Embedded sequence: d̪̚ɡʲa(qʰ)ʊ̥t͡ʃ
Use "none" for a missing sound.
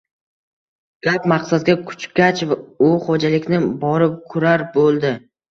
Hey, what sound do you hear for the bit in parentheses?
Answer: kʰ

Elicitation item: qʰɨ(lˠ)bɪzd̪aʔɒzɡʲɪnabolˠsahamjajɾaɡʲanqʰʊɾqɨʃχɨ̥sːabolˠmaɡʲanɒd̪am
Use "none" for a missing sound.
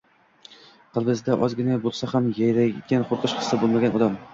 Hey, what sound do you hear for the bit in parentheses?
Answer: lˠ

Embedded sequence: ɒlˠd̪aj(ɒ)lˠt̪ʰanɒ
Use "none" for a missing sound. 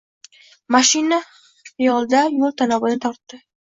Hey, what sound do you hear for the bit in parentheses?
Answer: o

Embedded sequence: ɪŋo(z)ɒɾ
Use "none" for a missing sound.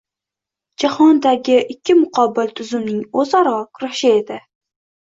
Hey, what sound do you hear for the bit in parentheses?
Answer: z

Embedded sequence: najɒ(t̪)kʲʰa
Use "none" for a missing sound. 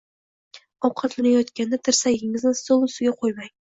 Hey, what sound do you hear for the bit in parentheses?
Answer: t̪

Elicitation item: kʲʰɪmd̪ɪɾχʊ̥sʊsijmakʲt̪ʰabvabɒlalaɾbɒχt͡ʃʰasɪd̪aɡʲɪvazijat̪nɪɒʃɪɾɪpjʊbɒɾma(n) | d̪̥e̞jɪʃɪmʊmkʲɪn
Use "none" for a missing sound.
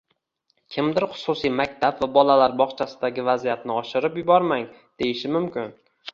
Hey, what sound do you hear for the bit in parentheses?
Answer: ŋ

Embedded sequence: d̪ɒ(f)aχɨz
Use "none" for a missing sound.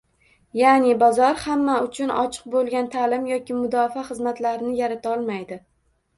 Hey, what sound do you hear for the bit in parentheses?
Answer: f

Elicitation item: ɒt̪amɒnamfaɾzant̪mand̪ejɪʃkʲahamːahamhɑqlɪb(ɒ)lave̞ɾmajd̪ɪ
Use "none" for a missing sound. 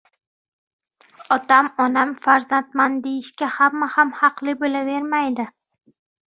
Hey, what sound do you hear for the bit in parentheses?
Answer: o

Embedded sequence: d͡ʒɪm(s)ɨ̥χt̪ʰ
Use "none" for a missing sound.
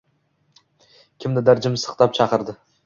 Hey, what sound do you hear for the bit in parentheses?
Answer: s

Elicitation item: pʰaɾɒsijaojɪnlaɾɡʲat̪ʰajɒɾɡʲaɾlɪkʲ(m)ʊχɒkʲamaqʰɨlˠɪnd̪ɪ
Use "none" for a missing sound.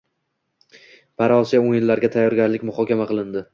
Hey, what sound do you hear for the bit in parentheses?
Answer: m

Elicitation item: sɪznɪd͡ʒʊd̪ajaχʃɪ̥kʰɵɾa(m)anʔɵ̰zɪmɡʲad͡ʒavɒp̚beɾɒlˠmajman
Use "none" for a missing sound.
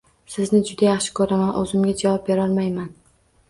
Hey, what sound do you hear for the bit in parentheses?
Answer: m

